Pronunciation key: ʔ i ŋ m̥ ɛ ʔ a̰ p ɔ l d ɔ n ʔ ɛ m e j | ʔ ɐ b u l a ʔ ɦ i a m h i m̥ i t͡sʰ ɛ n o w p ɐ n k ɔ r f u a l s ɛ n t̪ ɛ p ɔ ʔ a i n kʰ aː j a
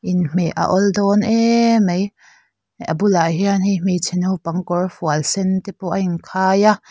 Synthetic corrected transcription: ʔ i n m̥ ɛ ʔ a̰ ʔ ɔ l d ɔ n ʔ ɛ m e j | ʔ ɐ b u l a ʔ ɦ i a n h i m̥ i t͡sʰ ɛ n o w p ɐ ŋ k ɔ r f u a l s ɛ n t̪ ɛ p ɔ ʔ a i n kʰ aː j a